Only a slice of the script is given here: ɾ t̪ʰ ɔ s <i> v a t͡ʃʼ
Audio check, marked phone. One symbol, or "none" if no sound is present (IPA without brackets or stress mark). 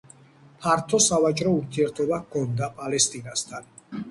a